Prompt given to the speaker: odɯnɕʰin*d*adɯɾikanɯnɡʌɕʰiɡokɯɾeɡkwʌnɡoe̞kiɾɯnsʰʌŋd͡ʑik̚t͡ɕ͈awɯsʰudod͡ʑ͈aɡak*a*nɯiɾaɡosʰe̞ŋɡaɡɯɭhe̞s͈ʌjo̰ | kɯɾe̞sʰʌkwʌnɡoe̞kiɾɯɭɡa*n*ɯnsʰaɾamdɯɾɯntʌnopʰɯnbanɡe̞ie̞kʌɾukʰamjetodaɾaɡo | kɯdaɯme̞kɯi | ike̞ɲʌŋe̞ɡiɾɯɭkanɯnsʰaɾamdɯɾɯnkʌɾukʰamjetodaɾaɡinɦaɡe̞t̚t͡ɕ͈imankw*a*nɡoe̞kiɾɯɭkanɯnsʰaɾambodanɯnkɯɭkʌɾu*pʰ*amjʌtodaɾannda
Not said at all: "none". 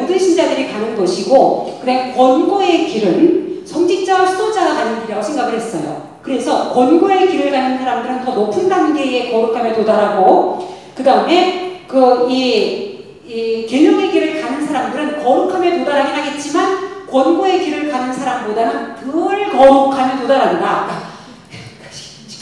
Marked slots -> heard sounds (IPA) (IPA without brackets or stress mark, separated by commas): d͡ʑ, a, n, ʌ, kʰ